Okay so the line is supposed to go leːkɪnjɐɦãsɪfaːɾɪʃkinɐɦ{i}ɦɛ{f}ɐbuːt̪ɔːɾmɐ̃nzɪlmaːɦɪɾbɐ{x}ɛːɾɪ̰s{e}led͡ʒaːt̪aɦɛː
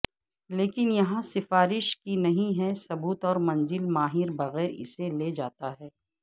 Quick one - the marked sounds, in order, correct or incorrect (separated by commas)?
incorrect, incorrect, incorrect, correct